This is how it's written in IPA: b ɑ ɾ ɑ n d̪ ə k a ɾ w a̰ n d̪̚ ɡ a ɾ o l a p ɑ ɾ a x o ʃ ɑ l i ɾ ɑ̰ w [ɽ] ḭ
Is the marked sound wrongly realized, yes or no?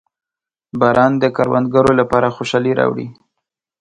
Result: no